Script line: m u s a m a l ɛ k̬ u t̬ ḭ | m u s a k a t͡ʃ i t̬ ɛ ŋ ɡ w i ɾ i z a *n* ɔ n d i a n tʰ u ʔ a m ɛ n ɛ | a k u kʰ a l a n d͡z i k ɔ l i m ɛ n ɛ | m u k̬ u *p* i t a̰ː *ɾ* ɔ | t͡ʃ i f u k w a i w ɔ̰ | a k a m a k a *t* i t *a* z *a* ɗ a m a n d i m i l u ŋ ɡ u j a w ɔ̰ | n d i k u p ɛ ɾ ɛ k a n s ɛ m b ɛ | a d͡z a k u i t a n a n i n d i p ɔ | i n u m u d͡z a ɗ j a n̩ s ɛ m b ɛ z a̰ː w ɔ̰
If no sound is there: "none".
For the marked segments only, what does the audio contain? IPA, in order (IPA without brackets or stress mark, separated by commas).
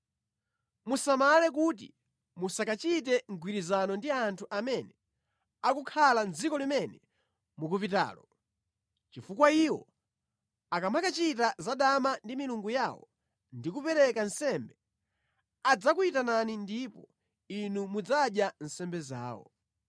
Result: n, p, l, t͡ʃ, a, a